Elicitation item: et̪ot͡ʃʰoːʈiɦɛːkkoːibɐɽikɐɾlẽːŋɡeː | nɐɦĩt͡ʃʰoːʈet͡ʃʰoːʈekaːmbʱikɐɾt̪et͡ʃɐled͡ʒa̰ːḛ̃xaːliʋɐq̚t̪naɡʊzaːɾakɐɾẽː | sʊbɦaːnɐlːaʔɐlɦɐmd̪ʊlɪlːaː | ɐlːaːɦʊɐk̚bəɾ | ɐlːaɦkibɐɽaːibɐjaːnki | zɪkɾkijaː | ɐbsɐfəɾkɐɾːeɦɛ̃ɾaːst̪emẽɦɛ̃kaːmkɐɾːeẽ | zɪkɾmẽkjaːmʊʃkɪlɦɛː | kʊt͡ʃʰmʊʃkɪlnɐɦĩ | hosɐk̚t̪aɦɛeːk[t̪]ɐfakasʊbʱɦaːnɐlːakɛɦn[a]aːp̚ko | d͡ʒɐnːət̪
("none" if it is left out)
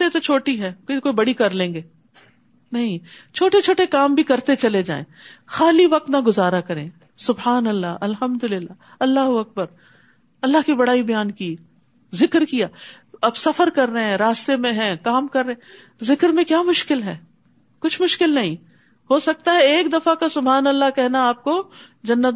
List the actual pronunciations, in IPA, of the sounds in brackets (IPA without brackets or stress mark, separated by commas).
d̪, a